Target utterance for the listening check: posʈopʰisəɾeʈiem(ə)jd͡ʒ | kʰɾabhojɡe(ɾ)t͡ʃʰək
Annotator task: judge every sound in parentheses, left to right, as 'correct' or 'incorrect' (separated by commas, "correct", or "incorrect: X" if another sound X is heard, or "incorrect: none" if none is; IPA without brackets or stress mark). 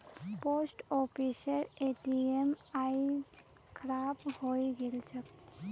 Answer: incorrect: a, incorrect: l